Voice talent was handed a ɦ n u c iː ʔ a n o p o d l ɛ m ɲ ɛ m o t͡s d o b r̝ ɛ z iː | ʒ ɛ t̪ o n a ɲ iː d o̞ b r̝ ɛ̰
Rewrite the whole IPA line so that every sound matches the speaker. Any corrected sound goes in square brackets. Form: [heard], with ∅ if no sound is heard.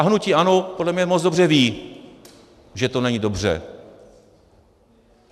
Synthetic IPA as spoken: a ɦ n u c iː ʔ a n o p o d l ɛ m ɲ ɛ m o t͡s d o b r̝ ɛ [v] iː | ʒ ɛ t̪ o n [ɛ] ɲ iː d o̞ b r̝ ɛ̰